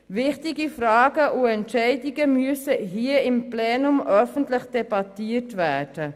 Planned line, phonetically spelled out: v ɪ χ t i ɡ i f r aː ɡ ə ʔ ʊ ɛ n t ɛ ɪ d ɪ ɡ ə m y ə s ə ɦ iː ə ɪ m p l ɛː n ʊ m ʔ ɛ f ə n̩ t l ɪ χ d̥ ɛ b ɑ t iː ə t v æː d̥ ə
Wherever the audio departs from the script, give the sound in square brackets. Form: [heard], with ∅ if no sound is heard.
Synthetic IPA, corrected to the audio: v ɪ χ t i ɡ i f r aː ɡ ə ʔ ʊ ɛ n t ɛ ɪ d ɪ ɡ ə m y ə s ə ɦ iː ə ɪ m p l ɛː n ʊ m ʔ [œ] f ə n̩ t l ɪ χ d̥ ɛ b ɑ t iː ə t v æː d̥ ə

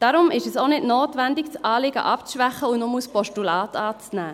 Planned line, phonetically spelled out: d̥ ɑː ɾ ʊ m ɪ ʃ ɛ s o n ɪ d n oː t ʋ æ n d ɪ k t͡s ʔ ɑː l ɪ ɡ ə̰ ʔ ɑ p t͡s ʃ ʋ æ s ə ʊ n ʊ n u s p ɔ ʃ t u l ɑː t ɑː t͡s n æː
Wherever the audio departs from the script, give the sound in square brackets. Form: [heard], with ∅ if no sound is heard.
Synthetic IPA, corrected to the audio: d̥ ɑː ɾ ʊ m ɪ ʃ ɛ s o n ɪ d n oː t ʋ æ n d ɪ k t͡s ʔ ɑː l ɪ ɡ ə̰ ʔ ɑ p t͡s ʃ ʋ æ [χ] ə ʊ n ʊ [m] u s p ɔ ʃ t u l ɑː t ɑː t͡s n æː

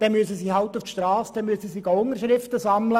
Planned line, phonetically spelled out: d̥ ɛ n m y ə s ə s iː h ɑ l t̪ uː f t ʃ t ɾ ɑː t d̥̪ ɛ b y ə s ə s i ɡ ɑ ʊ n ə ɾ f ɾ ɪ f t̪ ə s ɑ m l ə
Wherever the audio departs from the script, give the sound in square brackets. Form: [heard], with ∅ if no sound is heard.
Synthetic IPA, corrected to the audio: d̥ ɛ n m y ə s ə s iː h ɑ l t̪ [u] f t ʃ t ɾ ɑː [s] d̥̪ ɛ [m] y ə s ə s i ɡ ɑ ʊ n ə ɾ [ʃ] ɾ ɪ f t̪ ə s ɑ m l ə

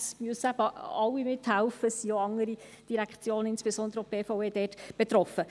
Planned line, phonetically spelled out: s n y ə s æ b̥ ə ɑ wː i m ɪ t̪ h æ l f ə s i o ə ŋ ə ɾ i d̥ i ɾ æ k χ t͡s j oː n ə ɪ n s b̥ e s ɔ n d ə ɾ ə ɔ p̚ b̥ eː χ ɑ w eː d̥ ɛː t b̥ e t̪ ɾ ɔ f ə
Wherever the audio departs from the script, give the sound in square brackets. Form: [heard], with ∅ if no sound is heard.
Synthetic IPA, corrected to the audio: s [m] y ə s æ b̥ ə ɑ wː i m ɪ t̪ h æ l f ə s i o [ɑ] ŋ ə ɾ i d̥ i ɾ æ k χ t͡s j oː n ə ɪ n s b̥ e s ɔ n d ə ɾ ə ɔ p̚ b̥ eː [f] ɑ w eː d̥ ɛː t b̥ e t̪ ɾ ɔ f ə

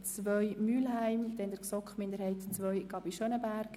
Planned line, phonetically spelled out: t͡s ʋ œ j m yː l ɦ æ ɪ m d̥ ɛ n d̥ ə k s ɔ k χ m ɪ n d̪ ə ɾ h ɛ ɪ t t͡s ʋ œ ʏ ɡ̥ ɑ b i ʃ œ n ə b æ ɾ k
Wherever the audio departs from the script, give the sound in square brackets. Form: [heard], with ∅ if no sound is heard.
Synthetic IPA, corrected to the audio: t͡s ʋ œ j m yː l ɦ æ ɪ m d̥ ɛ n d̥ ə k s ɔ k χ m ɪ n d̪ ə ɾ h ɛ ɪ t t͡s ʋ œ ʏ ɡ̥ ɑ b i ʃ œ n ə b æ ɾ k

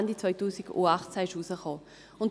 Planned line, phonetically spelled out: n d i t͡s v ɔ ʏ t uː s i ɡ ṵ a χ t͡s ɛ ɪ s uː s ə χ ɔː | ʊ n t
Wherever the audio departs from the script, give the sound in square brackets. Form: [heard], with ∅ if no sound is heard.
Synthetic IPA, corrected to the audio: n d i t͡s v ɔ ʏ t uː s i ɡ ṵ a χ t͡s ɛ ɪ [ʃ] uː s ə χ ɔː | ʊ n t

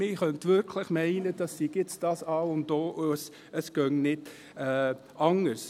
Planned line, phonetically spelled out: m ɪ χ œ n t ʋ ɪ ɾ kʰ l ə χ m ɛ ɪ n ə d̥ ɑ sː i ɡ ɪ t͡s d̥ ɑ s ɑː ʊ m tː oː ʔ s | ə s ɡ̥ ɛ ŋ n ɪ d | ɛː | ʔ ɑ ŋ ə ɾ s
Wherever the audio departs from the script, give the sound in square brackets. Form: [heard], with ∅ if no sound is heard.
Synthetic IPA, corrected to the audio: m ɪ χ œ n t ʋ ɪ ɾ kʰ l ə χ m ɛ ɪ n ə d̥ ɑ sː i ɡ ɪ t͡s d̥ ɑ s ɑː ʊ [n] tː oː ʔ s | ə s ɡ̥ [œ] ŋ n ɪ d | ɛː | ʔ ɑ ŋ ə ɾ s

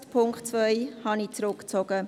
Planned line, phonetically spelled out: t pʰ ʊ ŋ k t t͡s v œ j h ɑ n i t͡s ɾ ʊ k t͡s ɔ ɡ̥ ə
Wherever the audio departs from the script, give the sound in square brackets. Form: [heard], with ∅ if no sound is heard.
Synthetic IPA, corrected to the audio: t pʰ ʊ ŋ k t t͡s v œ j h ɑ n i t͡s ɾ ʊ k t͡s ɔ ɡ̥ ə

